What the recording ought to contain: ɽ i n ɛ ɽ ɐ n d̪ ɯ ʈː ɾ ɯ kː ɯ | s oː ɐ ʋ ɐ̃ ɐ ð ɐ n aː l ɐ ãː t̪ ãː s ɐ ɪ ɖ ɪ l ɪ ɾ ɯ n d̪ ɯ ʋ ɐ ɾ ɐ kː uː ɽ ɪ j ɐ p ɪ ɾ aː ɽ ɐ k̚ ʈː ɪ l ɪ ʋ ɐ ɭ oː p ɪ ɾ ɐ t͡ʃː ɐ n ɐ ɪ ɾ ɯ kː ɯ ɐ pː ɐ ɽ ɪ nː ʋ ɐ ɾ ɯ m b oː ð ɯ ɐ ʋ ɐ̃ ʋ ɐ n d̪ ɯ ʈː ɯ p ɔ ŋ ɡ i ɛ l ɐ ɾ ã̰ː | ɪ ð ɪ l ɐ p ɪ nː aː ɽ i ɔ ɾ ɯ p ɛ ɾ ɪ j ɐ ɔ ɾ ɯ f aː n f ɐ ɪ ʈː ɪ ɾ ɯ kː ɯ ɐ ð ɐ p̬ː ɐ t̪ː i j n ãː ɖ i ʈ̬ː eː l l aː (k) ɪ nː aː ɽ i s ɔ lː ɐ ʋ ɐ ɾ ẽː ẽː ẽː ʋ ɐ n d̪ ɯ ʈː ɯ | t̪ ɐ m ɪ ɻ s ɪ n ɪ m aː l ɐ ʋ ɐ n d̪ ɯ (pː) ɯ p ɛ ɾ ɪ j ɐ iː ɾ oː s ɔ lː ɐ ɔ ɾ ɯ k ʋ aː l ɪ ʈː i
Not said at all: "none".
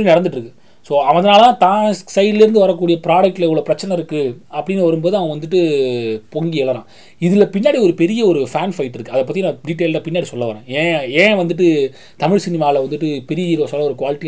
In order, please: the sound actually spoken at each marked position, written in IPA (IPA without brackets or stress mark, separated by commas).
p, ʈː